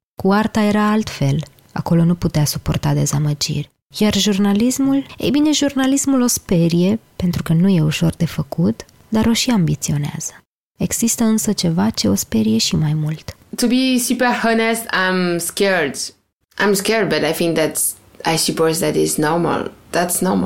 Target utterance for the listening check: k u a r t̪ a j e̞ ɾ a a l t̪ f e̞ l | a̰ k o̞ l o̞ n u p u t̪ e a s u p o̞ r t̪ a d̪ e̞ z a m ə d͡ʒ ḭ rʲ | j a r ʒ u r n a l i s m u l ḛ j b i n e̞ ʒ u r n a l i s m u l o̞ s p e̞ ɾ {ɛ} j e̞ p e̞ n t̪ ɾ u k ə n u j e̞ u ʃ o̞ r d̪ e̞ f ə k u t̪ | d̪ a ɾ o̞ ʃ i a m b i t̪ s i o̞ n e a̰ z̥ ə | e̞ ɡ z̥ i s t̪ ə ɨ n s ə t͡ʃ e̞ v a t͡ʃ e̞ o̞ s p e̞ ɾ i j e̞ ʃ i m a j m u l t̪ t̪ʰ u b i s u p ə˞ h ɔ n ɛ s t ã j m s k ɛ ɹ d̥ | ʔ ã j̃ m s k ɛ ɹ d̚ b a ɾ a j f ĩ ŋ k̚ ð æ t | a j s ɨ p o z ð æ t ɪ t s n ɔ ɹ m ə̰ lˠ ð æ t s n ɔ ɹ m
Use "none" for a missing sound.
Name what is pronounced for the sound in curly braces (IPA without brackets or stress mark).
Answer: i